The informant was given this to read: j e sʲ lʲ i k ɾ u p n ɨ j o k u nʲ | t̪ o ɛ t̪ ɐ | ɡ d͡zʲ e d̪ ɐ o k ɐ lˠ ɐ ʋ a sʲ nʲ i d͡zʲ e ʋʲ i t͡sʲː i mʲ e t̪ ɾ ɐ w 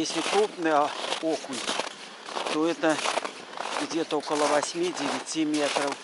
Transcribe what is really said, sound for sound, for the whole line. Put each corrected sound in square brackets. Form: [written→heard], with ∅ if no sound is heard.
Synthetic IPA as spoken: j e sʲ lʲ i k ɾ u p n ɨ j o k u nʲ | t̪ o ɛ t̪ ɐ | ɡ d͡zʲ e [d̪→t̪] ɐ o k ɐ lˠ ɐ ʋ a sʲ [nʲ→mʲ] i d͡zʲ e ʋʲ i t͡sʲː i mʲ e t̪ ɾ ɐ w